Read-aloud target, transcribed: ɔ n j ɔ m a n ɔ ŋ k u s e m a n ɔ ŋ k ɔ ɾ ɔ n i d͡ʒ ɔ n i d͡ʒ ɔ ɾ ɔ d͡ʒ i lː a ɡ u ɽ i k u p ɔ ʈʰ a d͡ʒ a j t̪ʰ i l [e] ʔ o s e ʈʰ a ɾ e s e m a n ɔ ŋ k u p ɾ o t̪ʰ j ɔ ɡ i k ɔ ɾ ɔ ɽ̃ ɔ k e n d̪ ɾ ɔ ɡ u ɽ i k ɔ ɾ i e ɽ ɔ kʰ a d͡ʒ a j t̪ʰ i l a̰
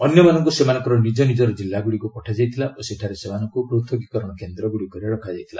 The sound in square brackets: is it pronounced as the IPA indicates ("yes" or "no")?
no